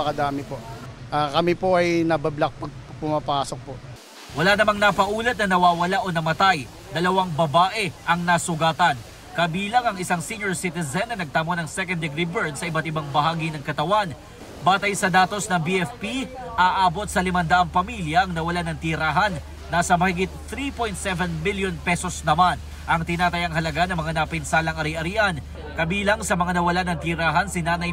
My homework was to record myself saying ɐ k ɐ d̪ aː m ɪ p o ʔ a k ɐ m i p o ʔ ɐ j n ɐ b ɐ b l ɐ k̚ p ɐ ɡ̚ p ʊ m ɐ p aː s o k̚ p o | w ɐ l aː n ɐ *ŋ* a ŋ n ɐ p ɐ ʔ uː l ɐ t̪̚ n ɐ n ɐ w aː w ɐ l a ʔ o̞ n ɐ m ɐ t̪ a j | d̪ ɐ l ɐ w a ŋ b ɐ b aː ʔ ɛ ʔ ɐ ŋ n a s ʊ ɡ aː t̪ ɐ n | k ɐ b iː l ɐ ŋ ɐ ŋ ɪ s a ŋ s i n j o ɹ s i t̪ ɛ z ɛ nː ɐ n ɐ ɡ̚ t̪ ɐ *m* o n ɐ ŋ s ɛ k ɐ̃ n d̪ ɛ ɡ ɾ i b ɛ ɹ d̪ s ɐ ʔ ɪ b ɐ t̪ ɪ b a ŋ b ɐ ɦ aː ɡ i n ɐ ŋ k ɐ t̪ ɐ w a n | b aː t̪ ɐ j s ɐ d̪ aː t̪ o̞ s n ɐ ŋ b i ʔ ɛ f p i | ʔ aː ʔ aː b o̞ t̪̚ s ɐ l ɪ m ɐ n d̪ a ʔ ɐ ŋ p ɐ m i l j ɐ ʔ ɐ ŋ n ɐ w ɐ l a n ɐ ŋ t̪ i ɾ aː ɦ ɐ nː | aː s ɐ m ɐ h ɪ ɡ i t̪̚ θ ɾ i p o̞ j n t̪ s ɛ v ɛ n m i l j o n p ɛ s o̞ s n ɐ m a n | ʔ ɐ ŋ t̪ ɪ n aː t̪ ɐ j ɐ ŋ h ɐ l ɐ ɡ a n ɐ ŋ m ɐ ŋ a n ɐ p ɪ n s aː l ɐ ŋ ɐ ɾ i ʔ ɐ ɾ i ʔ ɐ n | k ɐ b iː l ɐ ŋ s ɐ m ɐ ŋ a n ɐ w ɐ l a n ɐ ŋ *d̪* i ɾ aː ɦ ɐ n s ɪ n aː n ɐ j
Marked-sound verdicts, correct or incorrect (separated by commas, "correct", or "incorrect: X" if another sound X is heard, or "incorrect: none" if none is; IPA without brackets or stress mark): incorrect: m, correct, incorrect: t̪